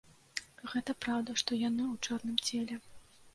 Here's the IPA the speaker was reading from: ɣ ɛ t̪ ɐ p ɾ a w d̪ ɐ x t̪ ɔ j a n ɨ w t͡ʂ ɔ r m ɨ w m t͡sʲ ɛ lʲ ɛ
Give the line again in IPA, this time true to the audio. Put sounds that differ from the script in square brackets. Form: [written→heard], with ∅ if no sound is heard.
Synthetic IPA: ɣ ɛ t̪ ɐ p ɾ a w d̪ ɐ [x→ʂ] t̪ ɔ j a n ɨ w t͡ʂ ɔ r [m→n] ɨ [w→∅] m t͡sʲ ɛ lʲ ɛ